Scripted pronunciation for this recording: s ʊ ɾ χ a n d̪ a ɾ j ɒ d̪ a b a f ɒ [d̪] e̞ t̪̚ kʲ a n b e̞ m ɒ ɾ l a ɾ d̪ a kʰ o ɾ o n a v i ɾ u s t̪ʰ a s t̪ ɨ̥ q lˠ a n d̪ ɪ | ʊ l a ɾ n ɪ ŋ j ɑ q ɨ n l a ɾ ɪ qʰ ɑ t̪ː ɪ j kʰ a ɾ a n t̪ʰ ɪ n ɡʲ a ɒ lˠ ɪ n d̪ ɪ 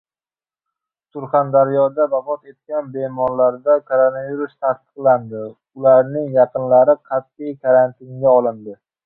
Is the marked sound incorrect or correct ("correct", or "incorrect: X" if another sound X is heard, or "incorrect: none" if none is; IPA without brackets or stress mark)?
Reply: incorrect: t̪